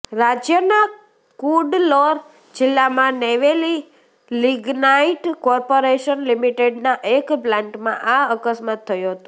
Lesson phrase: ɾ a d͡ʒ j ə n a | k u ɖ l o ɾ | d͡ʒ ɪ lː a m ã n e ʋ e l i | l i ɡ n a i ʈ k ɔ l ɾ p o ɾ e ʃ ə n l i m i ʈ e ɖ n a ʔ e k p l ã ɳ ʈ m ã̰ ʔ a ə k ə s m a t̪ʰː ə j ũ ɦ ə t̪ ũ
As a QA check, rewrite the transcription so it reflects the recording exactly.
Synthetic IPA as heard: ɾ a d͡ʒ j ə n a | k u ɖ l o ɾ | d͡ʒ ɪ lː a m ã n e ʋ e l i | l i ɡ n a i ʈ k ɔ ɾ p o ɾ e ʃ ə n l i m i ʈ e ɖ n a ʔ e k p l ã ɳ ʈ m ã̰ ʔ a ə k ə s m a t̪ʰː ə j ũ ɦ ə t̪ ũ